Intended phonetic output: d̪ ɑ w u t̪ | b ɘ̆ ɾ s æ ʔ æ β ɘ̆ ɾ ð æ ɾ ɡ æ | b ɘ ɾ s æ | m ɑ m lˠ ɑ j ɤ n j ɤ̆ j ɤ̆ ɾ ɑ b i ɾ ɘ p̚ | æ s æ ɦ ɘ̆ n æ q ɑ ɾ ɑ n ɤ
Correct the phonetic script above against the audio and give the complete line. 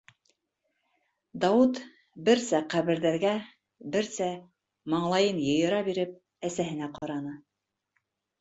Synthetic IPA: d̪ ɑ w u t̪ | b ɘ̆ ɾ s æ q æ β ɘ̆ ɾ ð æ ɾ ɡ æ | b ɘ ɾ s æ | m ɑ ɴ lˠ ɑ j ɤ n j ɤ̆ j ɤ̆ ɾ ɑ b i ɾ ɘ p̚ | æ s æ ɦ ɘ̆ n æ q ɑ ɾ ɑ n ɤ